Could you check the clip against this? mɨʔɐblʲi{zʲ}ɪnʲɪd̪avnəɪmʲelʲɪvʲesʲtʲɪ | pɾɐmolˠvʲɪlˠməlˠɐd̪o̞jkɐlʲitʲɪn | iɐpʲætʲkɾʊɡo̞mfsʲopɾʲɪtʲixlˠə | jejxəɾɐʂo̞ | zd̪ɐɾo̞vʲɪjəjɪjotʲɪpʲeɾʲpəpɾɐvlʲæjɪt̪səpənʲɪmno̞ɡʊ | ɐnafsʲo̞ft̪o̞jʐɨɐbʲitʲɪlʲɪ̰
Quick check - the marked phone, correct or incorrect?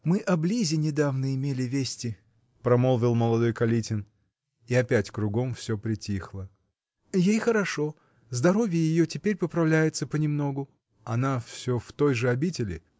correct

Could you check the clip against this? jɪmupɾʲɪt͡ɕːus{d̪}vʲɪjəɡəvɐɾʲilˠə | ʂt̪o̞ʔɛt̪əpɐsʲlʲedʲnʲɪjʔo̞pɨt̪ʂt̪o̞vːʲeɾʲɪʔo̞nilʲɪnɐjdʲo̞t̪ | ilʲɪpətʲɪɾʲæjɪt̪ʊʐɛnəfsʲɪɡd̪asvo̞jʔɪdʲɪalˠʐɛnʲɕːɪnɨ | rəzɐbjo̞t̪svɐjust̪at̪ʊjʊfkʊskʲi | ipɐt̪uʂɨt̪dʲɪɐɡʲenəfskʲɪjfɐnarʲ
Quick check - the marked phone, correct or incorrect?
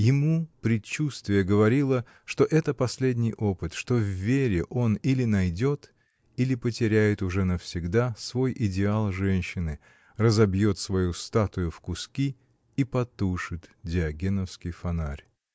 incorrect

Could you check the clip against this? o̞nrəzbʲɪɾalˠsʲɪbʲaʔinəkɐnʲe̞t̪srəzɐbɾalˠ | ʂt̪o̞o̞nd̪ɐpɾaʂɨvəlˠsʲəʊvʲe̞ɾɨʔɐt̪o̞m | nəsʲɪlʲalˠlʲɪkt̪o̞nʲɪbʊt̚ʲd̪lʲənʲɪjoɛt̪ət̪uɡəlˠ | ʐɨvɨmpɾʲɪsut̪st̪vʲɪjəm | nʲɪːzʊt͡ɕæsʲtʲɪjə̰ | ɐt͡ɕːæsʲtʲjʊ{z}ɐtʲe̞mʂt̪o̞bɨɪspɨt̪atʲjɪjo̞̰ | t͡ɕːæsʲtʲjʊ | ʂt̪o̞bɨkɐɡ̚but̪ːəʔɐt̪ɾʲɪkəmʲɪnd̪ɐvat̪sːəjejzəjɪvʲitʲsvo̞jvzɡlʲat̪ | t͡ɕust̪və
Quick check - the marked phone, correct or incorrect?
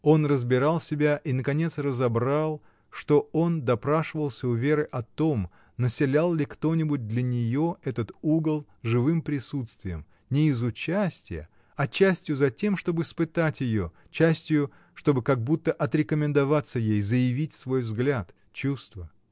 correct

